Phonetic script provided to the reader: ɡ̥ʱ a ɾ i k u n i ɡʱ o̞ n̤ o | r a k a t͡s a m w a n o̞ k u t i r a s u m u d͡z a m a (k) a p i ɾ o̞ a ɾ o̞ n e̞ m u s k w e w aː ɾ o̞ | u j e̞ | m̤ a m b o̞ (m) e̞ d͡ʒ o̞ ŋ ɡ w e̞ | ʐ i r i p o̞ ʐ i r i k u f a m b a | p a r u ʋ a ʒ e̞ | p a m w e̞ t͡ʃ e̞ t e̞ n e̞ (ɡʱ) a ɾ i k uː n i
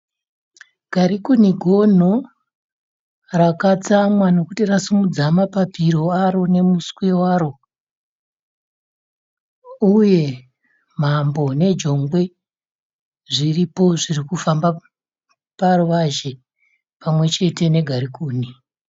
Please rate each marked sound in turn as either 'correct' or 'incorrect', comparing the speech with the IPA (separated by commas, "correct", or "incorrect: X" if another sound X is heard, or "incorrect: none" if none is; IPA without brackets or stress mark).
incorrect: p, incorrect: n, correct